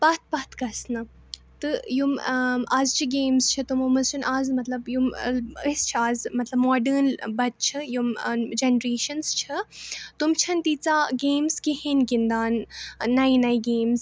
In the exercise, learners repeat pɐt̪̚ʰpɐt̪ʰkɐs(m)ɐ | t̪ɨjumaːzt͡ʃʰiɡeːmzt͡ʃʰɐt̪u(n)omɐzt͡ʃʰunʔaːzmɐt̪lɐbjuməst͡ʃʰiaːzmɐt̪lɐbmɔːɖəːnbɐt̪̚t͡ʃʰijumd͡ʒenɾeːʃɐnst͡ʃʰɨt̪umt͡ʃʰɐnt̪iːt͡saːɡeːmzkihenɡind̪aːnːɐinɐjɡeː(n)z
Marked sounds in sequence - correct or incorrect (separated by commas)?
incorrect, incorrect, incorrect